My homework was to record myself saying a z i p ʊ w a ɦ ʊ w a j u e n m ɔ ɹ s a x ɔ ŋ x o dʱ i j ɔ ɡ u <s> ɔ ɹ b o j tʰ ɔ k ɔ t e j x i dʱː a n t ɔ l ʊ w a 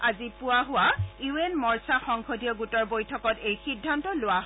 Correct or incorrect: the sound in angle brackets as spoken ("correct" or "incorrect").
incorrect